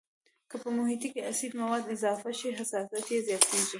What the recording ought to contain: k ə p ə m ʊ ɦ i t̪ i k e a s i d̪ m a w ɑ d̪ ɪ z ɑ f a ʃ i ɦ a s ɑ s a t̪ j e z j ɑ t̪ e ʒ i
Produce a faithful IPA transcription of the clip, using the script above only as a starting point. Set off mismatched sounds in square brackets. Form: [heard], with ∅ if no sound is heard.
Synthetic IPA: k ə p ə m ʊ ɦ i t̪ i k e a s i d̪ m a w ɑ d̪ ɪ z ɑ f a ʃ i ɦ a s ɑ s a t̪ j e z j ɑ t̪ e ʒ i

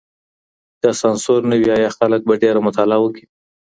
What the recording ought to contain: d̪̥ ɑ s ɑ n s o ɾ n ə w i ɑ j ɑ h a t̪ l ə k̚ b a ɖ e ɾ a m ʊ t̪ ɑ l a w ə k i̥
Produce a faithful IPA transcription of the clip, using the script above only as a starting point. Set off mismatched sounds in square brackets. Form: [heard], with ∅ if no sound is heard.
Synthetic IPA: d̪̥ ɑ s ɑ n s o ɾ n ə w i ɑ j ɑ [x] a [∅] l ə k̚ b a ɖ e ɾ a m ʊ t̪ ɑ l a w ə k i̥

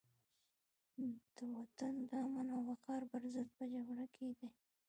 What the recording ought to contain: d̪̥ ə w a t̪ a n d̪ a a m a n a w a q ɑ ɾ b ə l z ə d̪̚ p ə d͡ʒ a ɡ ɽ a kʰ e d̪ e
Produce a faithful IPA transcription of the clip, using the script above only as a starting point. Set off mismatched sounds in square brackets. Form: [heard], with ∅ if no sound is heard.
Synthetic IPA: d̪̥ ə w a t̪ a n d̪ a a m a n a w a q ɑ ɾ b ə [ɾ] z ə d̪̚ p ə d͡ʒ a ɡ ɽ a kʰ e d̪ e

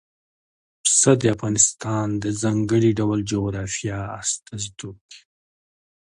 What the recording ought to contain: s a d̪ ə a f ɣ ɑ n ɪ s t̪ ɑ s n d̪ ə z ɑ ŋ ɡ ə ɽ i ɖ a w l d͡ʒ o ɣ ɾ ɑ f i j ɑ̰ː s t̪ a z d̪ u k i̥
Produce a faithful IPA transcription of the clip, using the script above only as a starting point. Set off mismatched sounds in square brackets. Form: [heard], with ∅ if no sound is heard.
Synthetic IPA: s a d̪ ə a f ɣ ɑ n ɪ s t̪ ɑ [∅] n d̪ ə z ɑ ŋ ɡ ə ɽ i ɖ a w l d͡ʒ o ɣ ɾ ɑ f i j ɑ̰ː s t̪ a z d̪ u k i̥

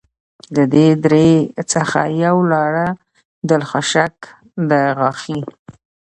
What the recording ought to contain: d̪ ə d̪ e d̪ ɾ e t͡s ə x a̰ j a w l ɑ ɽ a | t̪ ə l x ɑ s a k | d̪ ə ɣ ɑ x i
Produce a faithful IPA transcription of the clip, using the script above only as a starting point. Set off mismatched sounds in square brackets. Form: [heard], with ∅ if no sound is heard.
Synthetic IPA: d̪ ə d̪ e d̪ ɾ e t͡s ə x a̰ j a w l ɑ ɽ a | [d̪] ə l x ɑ [ʃ] a k | d̪ ə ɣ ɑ x i

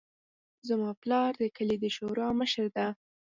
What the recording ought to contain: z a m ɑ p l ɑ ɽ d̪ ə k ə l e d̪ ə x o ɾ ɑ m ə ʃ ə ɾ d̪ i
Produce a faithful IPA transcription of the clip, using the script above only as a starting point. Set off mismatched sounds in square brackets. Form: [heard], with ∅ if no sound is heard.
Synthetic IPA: z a m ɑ p l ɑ [ɾ] d̪ ə k ə l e d̪ ə [ʃ] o ɾ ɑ m ə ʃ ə ɾ d̪ [a]

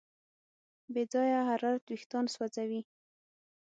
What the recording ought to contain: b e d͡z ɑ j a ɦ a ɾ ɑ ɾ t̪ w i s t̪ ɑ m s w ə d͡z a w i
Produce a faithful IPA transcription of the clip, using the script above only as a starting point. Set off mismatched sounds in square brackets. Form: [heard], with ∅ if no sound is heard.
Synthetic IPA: b e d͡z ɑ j a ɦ a ɾ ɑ ɾ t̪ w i [x] t̪ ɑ [n] s w [a] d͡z a w i

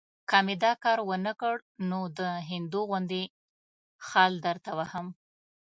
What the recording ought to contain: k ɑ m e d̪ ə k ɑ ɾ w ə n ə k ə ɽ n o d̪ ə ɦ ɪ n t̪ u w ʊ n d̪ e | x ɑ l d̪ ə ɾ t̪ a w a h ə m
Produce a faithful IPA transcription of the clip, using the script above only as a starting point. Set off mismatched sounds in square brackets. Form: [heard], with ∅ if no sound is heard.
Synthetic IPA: k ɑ m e d̪ [ɑ] k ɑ ɾ w ə n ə k ə ɽ n o d̪ ə ɦ ɪ n [d̪] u [ɣ] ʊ n d̪ e | x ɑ l d̪ ə ɾ t̪ a w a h ə m

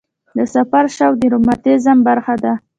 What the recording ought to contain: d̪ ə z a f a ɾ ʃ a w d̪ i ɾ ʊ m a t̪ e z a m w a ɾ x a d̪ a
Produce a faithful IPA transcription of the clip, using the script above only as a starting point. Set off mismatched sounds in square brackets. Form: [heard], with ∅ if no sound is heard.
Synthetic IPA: d̪ ə [s] a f a ɾ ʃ a w d̪ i ɾ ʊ m a t̪ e z a m [b] a ɾ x a d̪ a

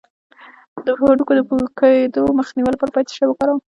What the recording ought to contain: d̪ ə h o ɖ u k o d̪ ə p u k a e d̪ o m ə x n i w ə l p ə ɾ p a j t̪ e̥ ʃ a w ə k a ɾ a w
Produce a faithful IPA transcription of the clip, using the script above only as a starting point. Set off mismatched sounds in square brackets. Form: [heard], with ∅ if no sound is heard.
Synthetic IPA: d̪ ə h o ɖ u k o d̪ ə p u k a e d̪ o m ə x n i w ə l p ə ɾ p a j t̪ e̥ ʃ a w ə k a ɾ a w

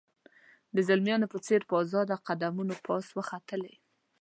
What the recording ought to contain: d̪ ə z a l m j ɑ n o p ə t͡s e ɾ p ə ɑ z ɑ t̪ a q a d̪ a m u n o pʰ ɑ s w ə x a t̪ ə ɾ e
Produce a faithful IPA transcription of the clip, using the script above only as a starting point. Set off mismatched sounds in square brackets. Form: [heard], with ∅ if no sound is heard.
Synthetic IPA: d̪ ə z a l m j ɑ n o p ə t͡s e ɾ p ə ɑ z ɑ [d̪] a q a d̪ a m u n o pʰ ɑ s w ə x a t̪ ə [l] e

